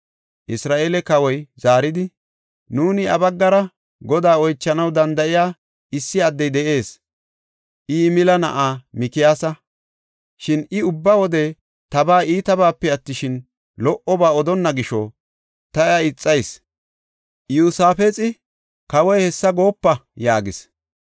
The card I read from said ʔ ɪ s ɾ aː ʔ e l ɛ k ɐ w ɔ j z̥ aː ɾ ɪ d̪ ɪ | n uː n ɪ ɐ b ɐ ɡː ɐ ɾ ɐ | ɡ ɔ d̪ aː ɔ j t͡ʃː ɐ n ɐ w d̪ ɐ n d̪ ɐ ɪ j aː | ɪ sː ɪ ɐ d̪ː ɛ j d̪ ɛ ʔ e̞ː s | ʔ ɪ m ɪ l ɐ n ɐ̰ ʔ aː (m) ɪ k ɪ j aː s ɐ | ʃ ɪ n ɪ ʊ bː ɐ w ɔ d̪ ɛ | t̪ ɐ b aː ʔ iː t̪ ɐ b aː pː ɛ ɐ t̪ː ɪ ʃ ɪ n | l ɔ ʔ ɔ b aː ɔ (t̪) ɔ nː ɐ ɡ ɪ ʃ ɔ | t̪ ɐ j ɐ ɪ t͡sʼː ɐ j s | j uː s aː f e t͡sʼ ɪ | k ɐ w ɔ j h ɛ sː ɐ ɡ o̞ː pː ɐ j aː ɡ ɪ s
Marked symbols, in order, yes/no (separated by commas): yes, no